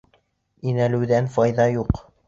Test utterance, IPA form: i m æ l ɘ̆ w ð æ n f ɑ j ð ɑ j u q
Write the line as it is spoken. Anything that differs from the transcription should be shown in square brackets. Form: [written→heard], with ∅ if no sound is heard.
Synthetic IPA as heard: i [m→n] æ l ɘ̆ w ð æ n f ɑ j ð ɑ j u q